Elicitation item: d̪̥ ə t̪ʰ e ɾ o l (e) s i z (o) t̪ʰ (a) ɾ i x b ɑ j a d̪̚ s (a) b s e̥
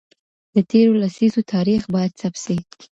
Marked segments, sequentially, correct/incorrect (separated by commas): incorrect, correct, incorrect, correct